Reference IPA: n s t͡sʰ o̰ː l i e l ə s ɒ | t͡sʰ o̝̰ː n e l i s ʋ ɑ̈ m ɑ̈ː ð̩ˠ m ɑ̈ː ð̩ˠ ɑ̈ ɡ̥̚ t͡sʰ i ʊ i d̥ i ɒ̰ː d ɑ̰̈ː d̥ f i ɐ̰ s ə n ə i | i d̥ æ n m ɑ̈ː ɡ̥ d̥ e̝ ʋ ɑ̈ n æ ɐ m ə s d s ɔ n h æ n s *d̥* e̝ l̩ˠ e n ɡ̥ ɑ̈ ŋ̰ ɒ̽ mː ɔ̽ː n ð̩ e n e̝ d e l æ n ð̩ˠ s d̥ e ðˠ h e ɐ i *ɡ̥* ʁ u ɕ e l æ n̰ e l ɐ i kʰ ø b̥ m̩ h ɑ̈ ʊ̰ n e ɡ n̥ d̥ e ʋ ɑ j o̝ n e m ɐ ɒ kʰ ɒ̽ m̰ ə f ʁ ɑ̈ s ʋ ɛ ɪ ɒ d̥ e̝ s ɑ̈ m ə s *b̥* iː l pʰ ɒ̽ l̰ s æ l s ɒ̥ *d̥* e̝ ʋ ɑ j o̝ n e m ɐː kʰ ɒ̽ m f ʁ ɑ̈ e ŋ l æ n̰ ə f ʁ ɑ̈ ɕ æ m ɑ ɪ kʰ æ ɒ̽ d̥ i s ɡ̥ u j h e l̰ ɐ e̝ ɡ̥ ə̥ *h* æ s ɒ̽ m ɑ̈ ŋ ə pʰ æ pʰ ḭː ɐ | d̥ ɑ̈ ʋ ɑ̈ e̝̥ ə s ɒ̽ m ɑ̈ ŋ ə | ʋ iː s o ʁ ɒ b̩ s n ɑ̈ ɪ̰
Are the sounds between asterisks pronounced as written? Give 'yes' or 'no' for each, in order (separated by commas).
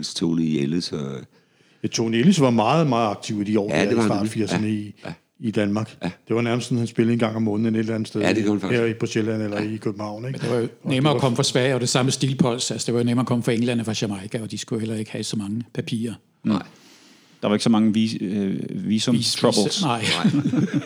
no, no, no, yes, yes